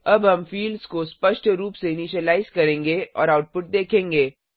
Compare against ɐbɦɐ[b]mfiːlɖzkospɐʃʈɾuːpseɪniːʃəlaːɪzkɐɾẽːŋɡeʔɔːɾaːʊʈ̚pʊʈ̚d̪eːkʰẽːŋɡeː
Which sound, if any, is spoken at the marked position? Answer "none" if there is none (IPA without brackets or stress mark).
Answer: none